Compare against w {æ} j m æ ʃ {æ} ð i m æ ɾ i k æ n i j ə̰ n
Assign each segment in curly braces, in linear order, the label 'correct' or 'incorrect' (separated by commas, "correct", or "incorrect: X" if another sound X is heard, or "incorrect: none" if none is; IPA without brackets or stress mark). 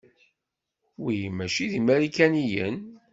incorrect: i, incorrect: i